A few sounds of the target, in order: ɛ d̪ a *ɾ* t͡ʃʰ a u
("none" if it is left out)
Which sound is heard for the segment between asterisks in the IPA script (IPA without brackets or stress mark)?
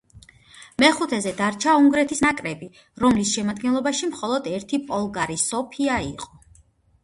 ɾ